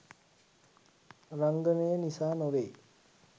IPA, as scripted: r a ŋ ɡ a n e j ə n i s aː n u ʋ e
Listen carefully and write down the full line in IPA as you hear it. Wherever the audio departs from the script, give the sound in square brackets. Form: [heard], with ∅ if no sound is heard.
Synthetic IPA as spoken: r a ŋ ɡ [ə] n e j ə n i s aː n [o] ʋ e

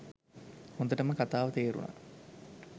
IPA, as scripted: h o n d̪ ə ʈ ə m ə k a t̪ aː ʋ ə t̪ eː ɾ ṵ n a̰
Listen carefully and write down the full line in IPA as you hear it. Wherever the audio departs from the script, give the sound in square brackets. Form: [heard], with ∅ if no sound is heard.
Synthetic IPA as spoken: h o n d̪ ə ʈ ə m ə k a t̪ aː ʋ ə t̪ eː ɾ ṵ n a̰

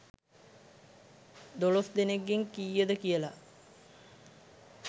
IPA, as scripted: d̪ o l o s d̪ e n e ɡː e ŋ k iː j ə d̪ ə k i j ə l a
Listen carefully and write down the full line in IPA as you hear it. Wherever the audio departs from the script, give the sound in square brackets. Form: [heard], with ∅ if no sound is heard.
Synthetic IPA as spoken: d̪ o l o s d̪ e n e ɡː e ŋ k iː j ə d̪ ə k i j ə l a

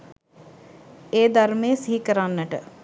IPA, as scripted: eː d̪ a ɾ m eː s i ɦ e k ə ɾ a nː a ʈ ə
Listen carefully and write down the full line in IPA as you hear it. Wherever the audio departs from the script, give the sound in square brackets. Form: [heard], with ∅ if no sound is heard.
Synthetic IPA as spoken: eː d̪ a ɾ m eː s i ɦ [i] k ə ɾ a nː [ə] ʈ ə

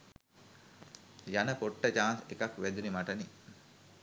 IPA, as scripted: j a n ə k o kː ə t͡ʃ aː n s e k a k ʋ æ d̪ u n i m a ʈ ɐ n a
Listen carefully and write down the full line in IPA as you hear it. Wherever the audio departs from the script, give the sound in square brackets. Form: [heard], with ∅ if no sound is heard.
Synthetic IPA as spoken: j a n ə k o [ʈː] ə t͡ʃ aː n s e k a k ʋ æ d̪ u n i m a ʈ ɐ n [i]

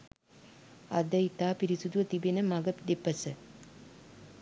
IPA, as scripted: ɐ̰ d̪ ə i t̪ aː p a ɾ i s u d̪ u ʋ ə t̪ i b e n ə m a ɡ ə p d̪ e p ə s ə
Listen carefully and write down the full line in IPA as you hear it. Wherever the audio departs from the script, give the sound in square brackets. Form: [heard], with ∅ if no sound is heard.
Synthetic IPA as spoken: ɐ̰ d̪ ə i t̪ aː p [i] ɾ i s u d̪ u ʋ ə t̪ i b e n ə m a ɡ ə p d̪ e p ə s ə

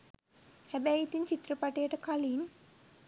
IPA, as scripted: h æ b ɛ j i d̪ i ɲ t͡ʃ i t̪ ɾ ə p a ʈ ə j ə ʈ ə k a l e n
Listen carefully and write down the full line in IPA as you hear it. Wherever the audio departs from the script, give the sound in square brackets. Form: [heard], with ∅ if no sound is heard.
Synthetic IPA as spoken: h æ b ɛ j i [t̪] i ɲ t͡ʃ i t̪ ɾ ə p a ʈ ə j ə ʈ ə k a l [i] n

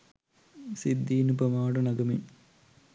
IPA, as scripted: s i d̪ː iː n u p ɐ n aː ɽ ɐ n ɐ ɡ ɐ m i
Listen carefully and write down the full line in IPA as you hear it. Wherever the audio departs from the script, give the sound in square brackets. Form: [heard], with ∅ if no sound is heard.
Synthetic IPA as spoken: s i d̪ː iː n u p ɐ [m] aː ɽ ɐ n ɐ ɡ ɐ m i

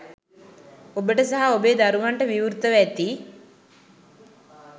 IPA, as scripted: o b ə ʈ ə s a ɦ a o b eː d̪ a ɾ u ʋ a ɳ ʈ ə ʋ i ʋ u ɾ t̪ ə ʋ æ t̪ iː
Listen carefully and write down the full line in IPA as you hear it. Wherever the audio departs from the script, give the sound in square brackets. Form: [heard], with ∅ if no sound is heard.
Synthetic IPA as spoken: o b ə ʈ ə s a ɦ a o b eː d̪ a ɾ u ʋ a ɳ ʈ ə ʋ i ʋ u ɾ t̪ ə ʋ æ t̪ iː

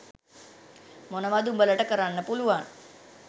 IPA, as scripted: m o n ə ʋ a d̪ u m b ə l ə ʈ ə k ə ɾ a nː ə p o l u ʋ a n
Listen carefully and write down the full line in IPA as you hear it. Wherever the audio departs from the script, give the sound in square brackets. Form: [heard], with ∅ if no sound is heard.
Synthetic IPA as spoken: m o n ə ʋ a d̪ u m b ə l ə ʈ ə k ə ɾ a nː ə p [u] l u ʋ a n

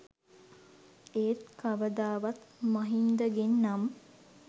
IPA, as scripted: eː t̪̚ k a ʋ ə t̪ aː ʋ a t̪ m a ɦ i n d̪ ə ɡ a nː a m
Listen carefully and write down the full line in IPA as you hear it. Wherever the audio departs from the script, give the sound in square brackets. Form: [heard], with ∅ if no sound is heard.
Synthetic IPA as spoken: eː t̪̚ k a ʋ ə [d̪] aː ʋ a t̪ m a ɦ i n d̪ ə ɡ [e] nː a m

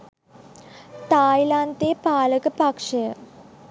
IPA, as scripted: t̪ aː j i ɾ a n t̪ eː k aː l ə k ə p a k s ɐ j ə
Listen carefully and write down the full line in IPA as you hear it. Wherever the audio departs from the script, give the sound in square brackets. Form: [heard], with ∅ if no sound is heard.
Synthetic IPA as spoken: t̪ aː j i [l] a n t̪ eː [p] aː l ə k ə p a k [ʂ] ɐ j ə

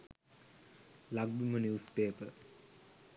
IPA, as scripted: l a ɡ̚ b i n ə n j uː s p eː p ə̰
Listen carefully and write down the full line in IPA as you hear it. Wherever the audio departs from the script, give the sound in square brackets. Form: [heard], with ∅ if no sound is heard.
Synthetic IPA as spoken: l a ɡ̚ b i [m] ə n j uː s p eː p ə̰

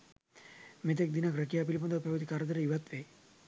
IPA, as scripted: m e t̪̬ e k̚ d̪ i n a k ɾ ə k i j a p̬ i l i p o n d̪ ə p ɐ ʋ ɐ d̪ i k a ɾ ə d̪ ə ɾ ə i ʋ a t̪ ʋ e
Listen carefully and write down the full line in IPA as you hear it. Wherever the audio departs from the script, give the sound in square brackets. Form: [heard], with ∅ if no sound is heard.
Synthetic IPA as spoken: m e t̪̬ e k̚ d̪ i n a k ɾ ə k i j a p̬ i l i p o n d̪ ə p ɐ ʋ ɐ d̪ i k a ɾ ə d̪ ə ɾ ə i ʋ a t̪ ʋ e

